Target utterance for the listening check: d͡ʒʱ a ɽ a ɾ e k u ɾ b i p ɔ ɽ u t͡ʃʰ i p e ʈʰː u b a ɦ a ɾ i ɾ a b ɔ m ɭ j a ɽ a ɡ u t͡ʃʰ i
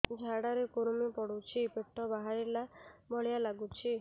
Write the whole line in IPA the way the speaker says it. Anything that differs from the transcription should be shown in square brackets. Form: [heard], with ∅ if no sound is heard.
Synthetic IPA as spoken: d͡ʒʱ a ɽ a ɾ e k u ɾ [m] i p ɔ ɽ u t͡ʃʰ i p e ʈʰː [ɔ] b a ɦ a ɾ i [l] a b ɔ [∅] ɭ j a [l] a ɡ u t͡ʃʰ i